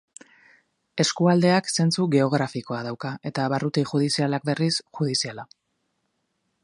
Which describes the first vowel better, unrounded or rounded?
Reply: unrounded